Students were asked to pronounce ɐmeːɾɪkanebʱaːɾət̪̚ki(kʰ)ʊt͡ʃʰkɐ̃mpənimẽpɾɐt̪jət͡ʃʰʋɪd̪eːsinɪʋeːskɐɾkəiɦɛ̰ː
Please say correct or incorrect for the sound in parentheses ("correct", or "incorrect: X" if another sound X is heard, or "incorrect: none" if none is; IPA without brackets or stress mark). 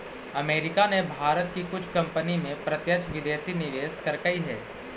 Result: incorrect: k